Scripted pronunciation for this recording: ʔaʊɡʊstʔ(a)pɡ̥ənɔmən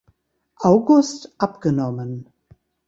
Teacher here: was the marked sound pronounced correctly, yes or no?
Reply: yes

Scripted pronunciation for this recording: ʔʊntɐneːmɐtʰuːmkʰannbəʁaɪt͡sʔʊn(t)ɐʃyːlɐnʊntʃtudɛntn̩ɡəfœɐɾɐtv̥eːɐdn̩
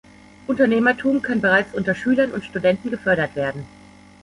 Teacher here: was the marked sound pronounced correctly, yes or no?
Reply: yes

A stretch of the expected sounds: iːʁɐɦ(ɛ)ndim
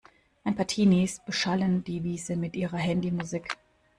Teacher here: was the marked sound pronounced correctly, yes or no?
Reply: yes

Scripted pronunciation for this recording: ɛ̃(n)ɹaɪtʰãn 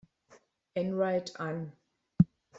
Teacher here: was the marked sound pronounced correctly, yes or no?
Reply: yes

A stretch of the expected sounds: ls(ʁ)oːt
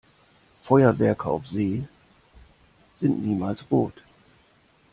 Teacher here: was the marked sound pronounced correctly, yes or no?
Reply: yes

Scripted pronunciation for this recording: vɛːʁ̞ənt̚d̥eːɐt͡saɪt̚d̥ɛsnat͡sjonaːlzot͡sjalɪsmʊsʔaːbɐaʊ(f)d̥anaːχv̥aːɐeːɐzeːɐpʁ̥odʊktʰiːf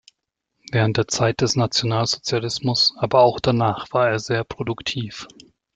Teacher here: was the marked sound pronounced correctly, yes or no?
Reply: no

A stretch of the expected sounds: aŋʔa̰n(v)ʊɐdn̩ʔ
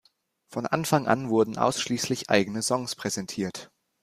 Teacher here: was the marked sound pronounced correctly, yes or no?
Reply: yes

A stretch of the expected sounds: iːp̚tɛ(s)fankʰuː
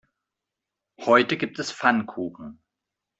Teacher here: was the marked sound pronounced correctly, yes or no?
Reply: yes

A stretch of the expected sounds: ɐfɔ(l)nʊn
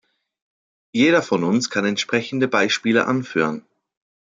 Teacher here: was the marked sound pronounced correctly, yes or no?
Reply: no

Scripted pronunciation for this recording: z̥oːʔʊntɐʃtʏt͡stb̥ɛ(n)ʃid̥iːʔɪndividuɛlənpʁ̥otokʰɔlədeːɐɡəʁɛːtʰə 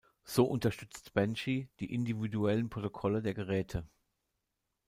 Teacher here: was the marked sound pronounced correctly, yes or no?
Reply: yes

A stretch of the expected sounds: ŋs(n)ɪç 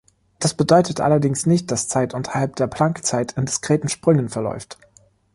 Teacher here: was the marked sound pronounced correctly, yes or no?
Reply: yes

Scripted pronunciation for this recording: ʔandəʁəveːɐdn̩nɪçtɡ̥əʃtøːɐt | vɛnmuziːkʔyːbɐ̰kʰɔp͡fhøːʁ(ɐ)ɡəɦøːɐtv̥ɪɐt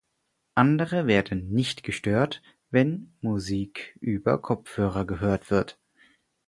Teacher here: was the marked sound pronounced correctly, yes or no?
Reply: yes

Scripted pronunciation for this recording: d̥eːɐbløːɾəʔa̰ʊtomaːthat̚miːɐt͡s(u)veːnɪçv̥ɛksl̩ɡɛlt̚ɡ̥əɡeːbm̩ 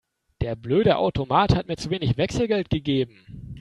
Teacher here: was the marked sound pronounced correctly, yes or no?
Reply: yes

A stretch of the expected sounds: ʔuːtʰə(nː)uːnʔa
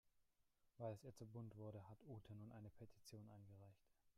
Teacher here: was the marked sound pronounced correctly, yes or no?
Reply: no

